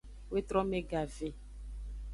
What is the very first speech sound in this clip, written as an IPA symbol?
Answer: w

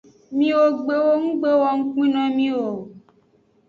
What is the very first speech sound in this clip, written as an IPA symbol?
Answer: m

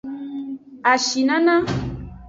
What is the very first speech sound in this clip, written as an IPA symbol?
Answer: a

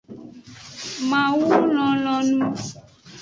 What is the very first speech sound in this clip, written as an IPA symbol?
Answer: m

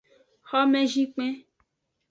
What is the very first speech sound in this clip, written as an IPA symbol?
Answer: x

